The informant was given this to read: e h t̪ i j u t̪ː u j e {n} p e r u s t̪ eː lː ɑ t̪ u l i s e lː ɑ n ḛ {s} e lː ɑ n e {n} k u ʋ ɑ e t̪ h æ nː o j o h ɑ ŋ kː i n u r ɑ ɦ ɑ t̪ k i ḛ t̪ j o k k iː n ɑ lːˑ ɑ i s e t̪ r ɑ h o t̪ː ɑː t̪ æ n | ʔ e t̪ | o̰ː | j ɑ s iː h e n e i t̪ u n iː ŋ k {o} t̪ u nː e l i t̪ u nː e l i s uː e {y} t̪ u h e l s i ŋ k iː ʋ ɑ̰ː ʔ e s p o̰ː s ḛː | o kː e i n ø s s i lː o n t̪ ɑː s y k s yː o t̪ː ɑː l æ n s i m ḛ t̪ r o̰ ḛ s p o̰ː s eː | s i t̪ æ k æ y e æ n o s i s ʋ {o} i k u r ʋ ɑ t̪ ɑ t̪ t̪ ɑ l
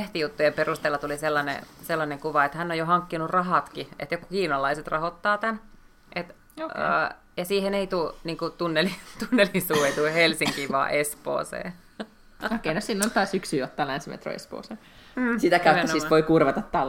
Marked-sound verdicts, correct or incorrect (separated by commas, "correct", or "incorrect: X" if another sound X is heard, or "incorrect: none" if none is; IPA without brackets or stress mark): incorrect: m, correct, incorrect: ŋ, incorrect: u, incorrect: i, correct